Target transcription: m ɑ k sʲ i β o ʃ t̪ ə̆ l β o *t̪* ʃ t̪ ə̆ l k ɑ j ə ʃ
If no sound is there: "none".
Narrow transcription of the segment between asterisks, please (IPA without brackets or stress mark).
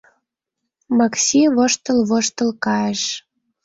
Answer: none